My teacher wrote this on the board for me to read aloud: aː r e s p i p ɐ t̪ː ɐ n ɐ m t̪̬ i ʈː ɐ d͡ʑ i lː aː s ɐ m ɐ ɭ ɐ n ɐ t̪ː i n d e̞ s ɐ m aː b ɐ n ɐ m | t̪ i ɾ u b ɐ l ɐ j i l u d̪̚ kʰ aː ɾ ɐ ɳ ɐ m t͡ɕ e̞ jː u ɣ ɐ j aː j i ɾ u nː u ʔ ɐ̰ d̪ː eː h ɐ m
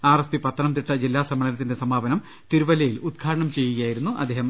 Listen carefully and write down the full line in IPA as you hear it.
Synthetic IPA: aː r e s p i p ɐ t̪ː ɐ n ɐ m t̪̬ i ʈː ɐ d͡ʑ i lː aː s ɐ m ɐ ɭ ɐ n ɐ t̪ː i n d e̞ s ɐ m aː b ɐ n ɐ m | t̪ i ɾ u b ɐ l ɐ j i l u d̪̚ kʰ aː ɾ ɐ ɳ ɐ m t͡ɕ e̞ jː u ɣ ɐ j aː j i ɾ u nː u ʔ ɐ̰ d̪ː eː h ɐ m